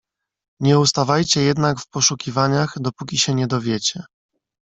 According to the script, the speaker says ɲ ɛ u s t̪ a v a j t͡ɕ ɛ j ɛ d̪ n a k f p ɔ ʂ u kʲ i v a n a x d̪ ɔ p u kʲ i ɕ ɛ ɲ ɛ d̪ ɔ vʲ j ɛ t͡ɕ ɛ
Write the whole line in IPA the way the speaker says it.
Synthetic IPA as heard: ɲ ɛ u s t̪ a v a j t͡ɕ ɛ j ɛ d̪ n a k f p ɔ ʂ u kʲ i v a ɲ a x d̪ ɔ p u kʲ i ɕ ɛ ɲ ɛ d̪ ɔ vʲ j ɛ t͡ɕ ɛ